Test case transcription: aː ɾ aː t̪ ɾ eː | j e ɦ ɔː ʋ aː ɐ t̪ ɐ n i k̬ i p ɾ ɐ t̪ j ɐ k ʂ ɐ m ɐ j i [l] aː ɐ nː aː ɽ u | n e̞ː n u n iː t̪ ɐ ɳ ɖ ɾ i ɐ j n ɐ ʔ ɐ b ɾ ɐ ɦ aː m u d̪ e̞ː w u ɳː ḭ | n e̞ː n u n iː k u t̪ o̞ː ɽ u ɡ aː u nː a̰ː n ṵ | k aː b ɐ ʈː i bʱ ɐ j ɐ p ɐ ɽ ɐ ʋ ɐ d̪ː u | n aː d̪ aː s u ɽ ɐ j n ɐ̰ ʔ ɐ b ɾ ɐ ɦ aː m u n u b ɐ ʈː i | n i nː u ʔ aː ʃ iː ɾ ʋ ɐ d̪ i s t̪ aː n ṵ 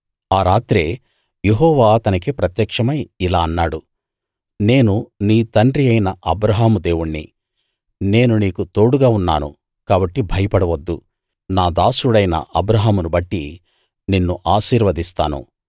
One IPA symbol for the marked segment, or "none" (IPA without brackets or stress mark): l